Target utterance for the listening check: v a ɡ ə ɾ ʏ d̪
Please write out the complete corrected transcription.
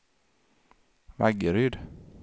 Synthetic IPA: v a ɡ ə ɾ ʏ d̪